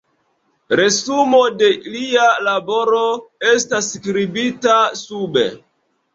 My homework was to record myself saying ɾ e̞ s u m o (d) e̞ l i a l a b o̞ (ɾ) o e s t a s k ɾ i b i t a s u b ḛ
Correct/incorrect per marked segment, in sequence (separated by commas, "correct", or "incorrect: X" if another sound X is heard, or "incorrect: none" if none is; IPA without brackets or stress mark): correct, correct